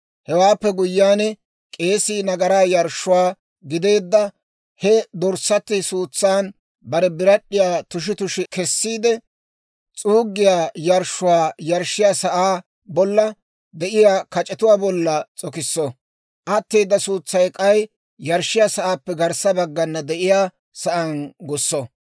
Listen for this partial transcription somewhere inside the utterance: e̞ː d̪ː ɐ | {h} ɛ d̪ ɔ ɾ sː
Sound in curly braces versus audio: correct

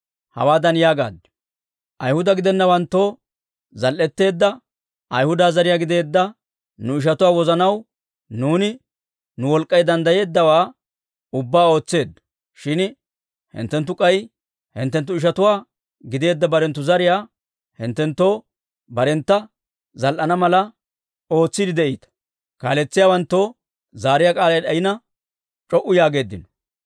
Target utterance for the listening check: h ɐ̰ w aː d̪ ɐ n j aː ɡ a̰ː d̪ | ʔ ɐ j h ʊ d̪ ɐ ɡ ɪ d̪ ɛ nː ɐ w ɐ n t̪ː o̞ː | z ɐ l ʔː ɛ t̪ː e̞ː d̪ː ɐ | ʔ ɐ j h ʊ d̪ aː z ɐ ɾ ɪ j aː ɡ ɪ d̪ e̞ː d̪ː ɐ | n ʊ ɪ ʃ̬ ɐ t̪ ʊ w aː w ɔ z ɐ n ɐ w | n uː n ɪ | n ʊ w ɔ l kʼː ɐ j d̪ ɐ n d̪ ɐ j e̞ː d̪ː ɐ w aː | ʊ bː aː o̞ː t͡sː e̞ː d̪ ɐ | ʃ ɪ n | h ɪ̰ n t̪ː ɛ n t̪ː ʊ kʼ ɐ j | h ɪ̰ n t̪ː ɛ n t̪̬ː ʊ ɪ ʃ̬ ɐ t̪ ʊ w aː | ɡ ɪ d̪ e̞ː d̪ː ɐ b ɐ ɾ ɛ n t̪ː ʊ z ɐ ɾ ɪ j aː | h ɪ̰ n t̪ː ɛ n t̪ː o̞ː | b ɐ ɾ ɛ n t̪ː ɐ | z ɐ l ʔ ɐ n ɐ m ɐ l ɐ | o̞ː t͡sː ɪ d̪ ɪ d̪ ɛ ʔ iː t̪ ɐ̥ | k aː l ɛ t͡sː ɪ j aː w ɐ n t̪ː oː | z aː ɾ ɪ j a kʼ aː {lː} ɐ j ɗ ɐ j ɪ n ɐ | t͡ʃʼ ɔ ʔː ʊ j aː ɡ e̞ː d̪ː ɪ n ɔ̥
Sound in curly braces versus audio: incorrect: l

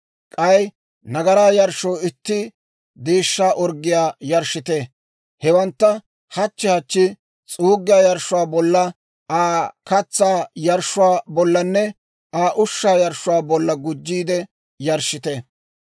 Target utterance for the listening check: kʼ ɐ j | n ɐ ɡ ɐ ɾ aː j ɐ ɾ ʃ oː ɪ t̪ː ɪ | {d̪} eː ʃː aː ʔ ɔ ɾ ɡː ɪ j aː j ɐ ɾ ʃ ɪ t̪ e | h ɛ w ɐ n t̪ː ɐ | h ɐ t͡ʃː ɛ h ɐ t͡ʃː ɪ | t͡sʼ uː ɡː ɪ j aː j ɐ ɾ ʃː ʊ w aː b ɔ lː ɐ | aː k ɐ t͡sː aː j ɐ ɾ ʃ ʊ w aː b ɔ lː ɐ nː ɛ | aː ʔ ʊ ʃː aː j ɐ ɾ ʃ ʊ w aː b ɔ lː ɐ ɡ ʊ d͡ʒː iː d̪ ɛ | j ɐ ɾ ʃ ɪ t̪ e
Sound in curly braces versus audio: correct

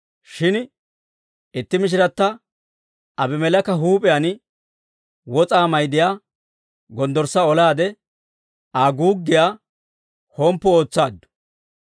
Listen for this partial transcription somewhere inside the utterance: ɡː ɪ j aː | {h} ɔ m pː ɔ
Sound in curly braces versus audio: correct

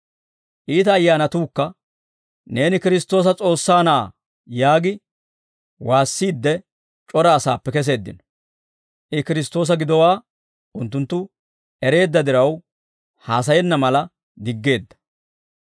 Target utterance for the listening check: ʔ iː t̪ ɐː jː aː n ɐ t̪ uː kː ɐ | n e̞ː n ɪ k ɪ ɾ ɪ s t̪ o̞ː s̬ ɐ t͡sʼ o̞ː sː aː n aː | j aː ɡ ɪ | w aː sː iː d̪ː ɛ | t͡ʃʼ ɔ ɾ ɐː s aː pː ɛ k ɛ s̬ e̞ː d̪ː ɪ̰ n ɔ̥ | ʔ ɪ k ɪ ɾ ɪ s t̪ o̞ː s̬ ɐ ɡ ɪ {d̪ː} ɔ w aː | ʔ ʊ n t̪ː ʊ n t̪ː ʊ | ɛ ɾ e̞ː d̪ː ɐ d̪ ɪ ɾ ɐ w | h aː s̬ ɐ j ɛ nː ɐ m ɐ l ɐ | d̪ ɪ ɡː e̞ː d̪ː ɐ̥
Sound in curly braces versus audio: incorrect: d̪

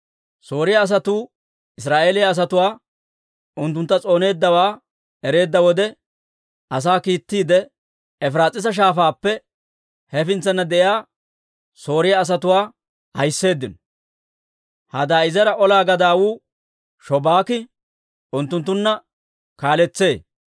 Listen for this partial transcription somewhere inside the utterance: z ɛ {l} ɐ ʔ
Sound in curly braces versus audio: incorrect: ɾ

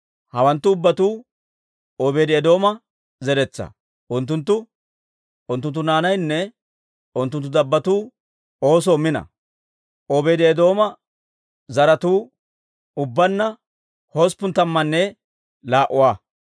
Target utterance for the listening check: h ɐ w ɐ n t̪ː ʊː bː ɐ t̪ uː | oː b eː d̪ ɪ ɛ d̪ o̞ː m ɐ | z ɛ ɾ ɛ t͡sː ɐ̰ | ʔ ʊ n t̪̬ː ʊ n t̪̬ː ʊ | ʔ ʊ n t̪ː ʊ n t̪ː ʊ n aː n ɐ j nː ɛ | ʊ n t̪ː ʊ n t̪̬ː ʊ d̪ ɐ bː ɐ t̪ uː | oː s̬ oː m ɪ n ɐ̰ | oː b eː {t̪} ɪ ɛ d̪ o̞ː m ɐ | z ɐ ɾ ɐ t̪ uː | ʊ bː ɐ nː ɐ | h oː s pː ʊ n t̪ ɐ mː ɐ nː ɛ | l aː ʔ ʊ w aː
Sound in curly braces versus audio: incorrect: d̪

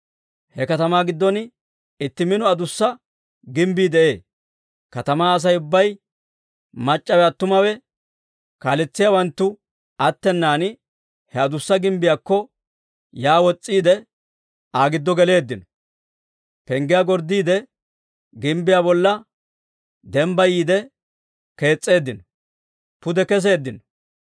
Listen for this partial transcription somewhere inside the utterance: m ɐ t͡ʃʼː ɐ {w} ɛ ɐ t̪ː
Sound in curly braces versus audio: correct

